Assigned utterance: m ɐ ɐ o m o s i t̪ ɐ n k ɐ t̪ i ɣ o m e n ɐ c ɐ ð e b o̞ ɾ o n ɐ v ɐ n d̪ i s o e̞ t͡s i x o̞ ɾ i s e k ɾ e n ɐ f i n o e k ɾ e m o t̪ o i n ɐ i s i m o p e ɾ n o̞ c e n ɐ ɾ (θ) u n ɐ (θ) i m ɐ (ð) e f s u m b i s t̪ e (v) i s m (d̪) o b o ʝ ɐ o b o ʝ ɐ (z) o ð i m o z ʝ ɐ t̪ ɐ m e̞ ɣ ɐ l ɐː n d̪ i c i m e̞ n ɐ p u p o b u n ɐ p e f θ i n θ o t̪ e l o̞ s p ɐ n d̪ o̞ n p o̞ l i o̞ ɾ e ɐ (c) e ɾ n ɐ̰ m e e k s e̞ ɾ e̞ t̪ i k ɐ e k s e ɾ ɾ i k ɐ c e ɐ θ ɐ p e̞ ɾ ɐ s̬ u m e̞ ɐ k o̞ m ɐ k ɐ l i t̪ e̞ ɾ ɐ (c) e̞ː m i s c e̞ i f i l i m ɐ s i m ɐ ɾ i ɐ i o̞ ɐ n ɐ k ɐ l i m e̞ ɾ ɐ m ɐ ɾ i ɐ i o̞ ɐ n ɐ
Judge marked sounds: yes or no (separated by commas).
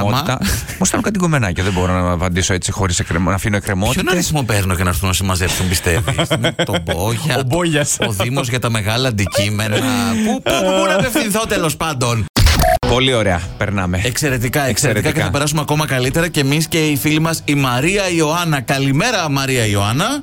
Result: yes, no, no, yes, no, no, no, yes